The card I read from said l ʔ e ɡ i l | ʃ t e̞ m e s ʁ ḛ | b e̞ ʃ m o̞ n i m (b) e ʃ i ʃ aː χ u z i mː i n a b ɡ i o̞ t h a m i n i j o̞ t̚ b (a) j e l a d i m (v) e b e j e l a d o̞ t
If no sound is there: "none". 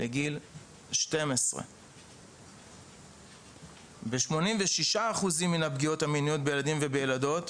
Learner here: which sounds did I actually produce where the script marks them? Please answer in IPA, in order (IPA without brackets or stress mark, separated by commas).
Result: v, e, v